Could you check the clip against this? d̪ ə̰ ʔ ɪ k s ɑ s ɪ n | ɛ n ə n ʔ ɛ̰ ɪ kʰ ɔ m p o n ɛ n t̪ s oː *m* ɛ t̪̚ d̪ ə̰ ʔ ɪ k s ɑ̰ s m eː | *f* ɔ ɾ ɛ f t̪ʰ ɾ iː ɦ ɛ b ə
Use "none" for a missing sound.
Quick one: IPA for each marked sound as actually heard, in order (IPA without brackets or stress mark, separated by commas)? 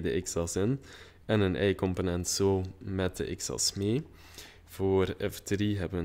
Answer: m, f